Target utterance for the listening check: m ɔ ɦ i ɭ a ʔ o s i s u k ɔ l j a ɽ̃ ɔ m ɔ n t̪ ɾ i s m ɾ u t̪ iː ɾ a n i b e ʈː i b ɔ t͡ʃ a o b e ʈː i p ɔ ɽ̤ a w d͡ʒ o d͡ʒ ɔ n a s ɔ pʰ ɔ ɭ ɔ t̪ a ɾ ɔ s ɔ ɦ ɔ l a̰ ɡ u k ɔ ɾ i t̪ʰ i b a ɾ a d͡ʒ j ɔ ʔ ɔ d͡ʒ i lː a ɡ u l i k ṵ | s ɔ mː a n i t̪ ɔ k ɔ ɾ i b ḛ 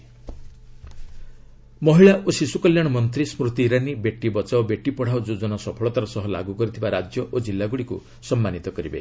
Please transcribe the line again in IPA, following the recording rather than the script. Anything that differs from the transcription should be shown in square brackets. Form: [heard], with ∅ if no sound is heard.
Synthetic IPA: m ɔ ɦ i ɭ a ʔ o s i s u k ɔ l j a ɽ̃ ɔ m ɔ n t̪ ɾ i s m ɾ u t̪ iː ɾ a n i b e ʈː i b ɔ t͡ʃ a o b e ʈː i p ɔ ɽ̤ a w d͡ʒ o d͡ʒ ɔ n a s ɔ pʰ ɔ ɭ ɔ t̪ a ɾ ɔ s ɔ ɦ ɔ l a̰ ɡ u k ɔ ɾ i t̪ʰ i b a ɾ a d͡ʒ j ɔ ʔ [o] d͡ʒ i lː a ɡ u [ɽ] i k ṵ | s ɔ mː a n i t̪ ɔ k ɔ ɾ i b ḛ

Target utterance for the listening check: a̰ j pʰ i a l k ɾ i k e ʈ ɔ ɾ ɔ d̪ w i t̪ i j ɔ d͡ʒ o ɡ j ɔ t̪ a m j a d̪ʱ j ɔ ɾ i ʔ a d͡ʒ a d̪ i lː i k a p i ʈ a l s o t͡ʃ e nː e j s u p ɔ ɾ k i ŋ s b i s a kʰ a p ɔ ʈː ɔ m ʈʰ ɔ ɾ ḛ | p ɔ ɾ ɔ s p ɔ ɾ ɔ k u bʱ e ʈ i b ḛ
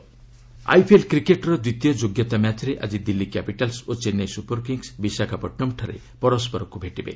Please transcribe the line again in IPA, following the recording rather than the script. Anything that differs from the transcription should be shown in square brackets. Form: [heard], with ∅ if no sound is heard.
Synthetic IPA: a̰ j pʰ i [e] l k ɾ i k e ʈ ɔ ɾ ɔ d̪ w i t̪ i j ɔ d͡ʒ o ɡ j ɔ t̪ a m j a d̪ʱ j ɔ ɾ [e] ʔ a d͡ʒ [i] d̪ i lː i k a p i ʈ a l s o t͡ʃ e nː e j s u p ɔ ɾ k i ŋ s b i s a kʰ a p ɔ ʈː ɔ m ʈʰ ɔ ɾ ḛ | p ɔ ɾ ɔ s p ɔ ɾ ɔ k u bʱ e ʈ i b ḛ

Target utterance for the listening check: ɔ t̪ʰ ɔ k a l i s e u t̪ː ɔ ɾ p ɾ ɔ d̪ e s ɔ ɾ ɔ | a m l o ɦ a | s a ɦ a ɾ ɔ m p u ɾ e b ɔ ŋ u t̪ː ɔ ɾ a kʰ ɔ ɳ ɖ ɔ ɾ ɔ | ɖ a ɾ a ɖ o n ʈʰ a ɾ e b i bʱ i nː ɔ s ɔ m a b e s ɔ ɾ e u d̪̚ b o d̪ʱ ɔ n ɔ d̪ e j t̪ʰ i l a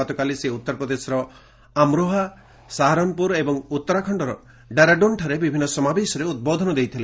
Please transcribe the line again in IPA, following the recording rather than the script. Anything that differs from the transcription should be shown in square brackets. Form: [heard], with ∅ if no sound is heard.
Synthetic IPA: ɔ [t̪] ɔ k a l i s e u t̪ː ɔ ɾ p ɾ ɔ d̪ e s ɔ ɾ ɔ | a m [ɾ] o ɦ a | s a ɦ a ɾ ɔ m p u ɾ e b ɔ ŋ u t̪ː ɔ ɾ a kʰ ɔ ɳ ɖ ɔ ɾ ɔ | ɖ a ɾ a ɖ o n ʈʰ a ɾ e b i bʱ i nː ɔ s ɔ m a b e s ɔ ɾ e u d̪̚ b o d̪ʱ ɔ n ɔ d̪ e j t̪ʰ i l [e]

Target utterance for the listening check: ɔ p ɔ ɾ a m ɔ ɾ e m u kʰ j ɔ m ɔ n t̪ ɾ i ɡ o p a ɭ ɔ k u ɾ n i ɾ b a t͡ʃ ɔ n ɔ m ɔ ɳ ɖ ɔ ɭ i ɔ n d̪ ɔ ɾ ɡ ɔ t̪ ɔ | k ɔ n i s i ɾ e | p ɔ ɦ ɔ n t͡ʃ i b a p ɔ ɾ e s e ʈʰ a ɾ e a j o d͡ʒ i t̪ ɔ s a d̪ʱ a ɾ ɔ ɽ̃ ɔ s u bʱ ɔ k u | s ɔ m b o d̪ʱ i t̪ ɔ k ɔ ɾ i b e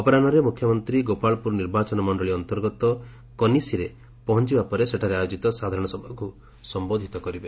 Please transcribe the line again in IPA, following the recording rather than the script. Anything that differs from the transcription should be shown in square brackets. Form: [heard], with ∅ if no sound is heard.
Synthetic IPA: ɔ p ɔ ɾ a [n] ɔ ɾ e m u kʰ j ɔ m ɔ n t̪ ɾ i ɡ o p a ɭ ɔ [p] u ɾ n i ɾ b a t͡ʃ ɔ n ɔ m ɔ ɳ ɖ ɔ ɭ i ɔ n [t̪] ɔ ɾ ɡ ɔ t̪ ɔ | k ɔ n i s i ɾ e | p ɔ ɦ ɔ n t͡ʃ i b a p ɔ ɾ e s e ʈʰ a ɾ e a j o d͡ʒ i t̪ ɔ s a d̪ʱ a ɾ ɔ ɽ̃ ɔ s [ɔ] bʱ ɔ k u | s ɔ m b o d̪ʱ i t̪ ɔ k ɔ ɾ i b e

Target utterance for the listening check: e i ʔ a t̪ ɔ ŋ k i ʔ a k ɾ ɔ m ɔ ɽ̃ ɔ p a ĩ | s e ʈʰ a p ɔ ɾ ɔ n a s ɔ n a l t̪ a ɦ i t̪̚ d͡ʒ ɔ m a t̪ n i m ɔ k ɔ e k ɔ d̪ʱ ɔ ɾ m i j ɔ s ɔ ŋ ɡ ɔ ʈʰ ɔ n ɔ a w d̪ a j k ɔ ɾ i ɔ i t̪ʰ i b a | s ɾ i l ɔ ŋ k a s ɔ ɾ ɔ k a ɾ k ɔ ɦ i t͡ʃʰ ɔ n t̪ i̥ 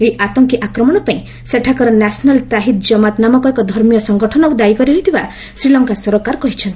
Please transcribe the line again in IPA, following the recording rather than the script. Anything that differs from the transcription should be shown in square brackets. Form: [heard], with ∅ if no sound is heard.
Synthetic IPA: e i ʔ a t̪ ɔ ŋ k i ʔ a k ɾ ɔ m ɔ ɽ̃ ɔ p a ĩ | s e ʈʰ a [k] ɔ ɾ ɔ n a s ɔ n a l t̪ a ɦ i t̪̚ d͡ʒ ɔ m a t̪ n [a] m ɔ k ɔ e k ɔ d̪ʱ ɔ ɾ m i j ɔ s ɔ ŋ ɡ ɔ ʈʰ ɔ n ɔ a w d̪ a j k ɔ ɾ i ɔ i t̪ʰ i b a | s ɾ i l ɔ ŋ k a s ɔ ɾ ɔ k a ɾ k ɔ ɦ i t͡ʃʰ ɔ n t̪ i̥

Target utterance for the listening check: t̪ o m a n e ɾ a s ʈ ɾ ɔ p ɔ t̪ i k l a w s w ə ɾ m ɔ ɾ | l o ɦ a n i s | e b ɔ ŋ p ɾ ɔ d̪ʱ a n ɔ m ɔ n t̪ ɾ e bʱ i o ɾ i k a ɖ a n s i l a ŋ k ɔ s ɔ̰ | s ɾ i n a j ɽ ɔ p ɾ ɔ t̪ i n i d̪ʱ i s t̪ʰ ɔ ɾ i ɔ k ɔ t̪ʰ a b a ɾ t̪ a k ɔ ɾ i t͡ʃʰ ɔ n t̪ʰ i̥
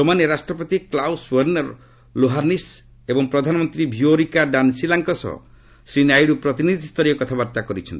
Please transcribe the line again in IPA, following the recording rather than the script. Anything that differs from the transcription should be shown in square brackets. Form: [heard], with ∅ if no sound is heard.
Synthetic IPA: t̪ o m a n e ɾ a s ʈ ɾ ɔ p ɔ t̪ i k l a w s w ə ɾ [n] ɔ ɾ | l o ɦ a n i s | e b ɔ ŋ p ɾ ɔ d̪ʱ a n ɔ m ɔ n t̪ ɾ [i] bʱ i o ɾ i k a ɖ a n s i l a ŋ k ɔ s ɔ̰ | s ɾ i n a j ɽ [u] p ɾ ɔ t̪ i n i d̪ʱ i s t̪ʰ ɔ ɾ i ɔ k ɔ t̪ʰ a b a ɾ t̪ a k ɔ ɾ i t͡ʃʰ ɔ n [t̪] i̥

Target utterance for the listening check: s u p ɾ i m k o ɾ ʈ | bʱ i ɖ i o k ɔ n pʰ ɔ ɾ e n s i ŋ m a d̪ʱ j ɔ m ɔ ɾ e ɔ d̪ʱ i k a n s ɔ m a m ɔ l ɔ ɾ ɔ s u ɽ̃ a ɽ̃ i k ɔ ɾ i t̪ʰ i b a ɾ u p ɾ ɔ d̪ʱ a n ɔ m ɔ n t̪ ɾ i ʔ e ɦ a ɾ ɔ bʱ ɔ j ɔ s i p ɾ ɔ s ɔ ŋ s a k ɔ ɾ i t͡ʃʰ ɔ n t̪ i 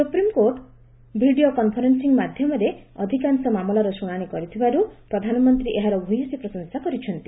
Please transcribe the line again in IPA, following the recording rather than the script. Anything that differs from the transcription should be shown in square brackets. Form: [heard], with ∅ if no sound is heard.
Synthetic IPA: s u p ɾ i m k o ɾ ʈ | bʱ i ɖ i o k ɔ n pʰ ɔ ɾ e n s i ŋ m a d̪ʱ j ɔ m ɔ ɾ e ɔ d̪ʱ i k a n s ɔ m a m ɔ l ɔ ɾ ɔ s u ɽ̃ a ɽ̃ i k ɔ ɾ i t̪ʰ i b a ɾ u p ɾ ɔ d̪ʱ a n ɔ m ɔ n t̪ ɾ i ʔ e ɦ a ɾ ɔ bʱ [u] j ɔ s i p ɾ ɔ s ɔ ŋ s a k ɔ ɾ i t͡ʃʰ ɔ n t̪ i

